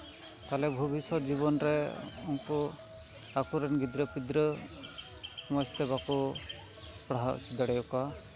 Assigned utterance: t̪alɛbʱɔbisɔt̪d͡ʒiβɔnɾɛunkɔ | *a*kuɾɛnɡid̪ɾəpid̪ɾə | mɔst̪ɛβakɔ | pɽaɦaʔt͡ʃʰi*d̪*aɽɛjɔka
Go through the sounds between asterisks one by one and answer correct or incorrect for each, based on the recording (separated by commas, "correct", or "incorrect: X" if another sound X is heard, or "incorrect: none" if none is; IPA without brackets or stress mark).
correct, correct